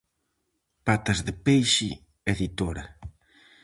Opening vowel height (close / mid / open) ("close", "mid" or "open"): open